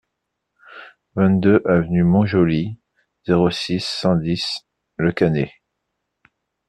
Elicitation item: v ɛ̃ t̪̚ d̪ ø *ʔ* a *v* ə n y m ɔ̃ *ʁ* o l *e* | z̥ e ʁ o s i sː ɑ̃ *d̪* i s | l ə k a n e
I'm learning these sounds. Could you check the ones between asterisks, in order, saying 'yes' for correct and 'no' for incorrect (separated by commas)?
yes, yes, no, no, yes